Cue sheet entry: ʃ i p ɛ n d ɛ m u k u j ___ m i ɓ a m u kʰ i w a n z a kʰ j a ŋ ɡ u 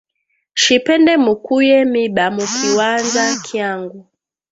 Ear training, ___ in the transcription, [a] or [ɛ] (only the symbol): ɛ